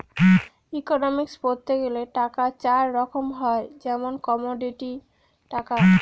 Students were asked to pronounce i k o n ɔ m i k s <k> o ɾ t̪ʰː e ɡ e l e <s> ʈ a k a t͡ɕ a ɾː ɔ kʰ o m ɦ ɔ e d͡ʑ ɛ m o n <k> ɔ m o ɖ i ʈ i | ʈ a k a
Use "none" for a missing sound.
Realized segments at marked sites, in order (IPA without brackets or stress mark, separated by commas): p, none, k